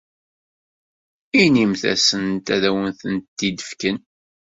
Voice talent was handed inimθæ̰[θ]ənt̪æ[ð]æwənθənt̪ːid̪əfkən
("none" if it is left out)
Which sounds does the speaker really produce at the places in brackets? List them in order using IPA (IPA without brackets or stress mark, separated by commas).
s, ð